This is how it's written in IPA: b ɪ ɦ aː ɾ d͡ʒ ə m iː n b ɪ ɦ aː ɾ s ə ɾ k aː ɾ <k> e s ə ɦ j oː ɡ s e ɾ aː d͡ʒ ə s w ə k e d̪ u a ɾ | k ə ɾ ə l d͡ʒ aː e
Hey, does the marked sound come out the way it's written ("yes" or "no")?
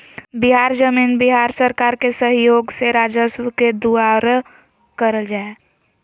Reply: yes